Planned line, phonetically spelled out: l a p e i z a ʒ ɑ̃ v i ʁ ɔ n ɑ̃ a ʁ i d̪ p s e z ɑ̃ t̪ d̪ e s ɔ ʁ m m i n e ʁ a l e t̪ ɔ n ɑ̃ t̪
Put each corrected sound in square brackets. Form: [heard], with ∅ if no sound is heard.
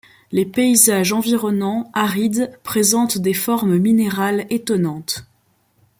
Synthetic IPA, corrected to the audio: l [e] p e i z a ʒ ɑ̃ v i ʁ ɔ n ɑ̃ a ʁ i d̪ p [χ] e z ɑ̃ t̪ d̪ e [f] ɔ ʁ m m i n e ʁ a l e t̪ ɔ n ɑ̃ t̪